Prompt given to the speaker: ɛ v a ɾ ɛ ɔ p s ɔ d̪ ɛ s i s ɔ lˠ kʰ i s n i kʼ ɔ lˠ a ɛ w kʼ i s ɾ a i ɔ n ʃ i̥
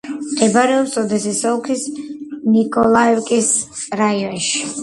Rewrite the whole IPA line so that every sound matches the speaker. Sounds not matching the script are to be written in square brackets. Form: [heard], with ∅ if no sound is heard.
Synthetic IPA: ɛ [b] a ɾ ɛ ɔ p s ɔ d̪ ɛ s i s ɔ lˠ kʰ i s n i kʼ ɔ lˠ a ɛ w kʼ i s ɾ a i ɔ n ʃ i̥